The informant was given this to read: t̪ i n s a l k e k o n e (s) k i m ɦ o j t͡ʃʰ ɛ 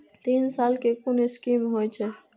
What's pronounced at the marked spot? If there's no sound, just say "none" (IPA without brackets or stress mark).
s